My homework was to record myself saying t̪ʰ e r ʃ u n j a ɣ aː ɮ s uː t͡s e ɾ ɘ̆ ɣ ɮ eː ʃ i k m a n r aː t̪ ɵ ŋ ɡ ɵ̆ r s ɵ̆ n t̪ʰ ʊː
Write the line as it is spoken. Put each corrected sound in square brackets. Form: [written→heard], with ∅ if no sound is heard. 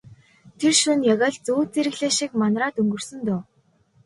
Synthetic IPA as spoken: t̪ʰ e r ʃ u n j a ɣ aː ɮ [s→t͡s] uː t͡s e ɾ ɘ̆ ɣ ɮ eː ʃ i k m a n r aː t̪ ɵ ŋ ɡ ɵ̆ r s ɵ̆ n [t̪ʰ→t̪] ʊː